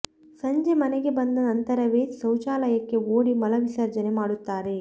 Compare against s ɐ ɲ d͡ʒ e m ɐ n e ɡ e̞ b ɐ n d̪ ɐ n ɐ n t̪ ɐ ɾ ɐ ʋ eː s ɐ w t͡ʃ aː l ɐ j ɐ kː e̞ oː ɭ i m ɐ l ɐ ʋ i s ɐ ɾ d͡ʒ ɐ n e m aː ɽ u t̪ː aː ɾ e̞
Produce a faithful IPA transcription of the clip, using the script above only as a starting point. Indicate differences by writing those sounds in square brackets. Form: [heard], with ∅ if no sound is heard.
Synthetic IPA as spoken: s ɐ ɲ d͡ʒ e m ɐ n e ɡ e̞ b ɐ n d̪ ɐ n ɐ n t̪ ɐ ɾ ɐ ʋ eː s ɐ w t͡ʃ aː l ɐ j ɐ kː e̞ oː [ɽ] i m ɐ l ɐ ʋ i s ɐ ɾ d͡ʒ ɐ n e m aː ɽ u t̪ː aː ɾ e̞